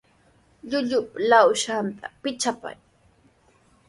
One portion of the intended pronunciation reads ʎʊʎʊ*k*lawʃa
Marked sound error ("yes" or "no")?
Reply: yes